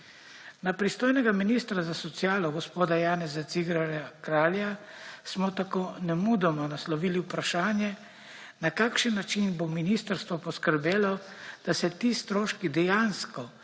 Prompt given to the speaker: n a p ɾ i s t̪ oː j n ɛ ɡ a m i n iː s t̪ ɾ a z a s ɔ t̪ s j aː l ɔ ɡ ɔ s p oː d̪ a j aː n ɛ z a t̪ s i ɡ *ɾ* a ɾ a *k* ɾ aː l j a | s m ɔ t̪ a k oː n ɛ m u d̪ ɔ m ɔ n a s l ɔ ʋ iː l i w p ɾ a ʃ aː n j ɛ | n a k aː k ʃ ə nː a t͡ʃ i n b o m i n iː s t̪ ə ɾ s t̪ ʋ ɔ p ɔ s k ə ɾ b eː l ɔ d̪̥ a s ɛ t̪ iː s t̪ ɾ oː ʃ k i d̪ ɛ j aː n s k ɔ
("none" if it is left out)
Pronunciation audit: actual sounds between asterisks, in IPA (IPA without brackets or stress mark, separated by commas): ɾ, k